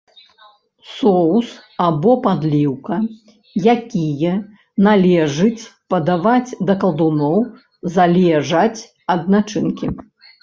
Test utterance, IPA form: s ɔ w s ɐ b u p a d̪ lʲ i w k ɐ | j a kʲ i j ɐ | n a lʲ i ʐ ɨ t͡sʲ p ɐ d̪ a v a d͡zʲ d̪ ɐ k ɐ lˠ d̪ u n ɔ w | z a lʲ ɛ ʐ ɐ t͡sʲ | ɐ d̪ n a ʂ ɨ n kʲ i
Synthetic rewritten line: s ɔ w s a b ɔ p a d̪ lʲ i w k ɐ | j a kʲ i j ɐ | n a lʲ ɛ ʐ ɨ t͡sʲ p ɐ d̪ a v a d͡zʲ d̪ ɐ k ɐ lˠ d̪ u n ɔ w | z a lʲ ɛ ʐ ɐ t͡sʲ | ɐ d̪ n a t͡ʂ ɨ n kʲ i